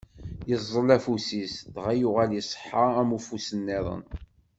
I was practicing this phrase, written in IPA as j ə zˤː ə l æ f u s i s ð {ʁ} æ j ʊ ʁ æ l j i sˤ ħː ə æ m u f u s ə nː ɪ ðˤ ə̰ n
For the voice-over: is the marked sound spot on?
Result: yes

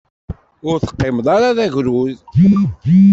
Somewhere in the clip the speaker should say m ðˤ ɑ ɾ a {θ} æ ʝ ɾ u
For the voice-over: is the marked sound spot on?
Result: no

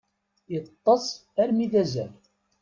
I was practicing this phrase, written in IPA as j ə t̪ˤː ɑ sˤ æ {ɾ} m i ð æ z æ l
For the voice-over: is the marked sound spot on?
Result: yes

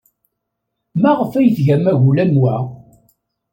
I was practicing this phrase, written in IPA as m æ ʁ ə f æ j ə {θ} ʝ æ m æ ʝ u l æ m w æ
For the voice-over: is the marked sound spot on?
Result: yes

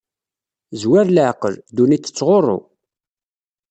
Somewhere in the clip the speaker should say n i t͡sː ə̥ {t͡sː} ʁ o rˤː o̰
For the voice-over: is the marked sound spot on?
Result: yes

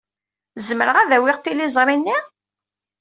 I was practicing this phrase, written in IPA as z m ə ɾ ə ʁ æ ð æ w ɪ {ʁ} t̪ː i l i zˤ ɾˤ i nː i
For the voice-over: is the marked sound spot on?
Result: yes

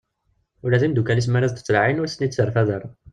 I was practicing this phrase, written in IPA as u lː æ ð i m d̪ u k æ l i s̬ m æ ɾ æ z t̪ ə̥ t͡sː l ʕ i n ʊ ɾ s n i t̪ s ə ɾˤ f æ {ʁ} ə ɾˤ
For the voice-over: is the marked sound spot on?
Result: no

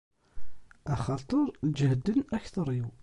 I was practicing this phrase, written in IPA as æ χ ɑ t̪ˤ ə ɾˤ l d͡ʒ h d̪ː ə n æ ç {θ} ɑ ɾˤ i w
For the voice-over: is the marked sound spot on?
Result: yes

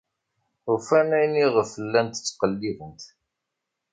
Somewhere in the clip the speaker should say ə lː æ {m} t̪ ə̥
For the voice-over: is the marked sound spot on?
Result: no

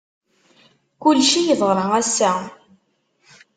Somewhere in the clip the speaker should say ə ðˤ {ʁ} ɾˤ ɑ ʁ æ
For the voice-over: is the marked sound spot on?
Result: yes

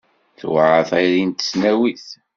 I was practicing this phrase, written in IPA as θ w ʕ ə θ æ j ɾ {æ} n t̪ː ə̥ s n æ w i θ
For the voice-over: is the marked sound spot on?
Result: no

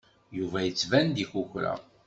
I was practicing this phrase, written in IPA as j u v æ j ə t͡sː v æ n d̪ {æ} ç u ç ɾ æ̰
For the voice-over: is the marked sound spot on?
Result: no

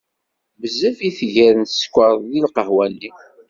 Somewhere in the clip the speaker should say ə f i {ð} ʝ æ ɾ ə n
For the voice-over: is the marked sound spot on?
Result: no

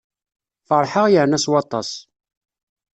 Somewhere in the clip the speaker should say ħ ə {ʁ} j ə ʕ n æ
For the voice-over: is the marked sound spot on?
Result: yes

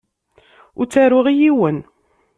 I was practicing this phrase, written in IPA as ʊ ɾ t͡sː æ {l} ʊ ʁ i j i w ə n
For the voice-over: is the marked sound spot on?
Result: no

